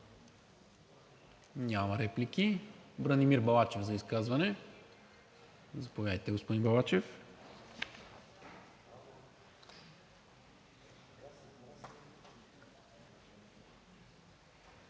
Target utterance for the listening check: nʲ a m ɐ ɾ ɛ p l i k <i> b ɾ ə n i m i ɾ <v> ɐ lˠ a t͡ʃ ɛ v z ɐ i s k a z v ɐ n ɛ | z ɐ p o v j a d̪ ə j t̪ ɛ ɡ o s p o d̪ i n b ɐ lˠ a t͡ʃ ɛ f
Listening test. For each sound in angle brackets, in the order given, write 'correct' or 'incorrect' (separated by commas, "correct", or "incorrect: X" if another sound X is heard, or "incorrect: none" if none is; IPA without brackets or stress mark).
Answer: correct, incorrect: b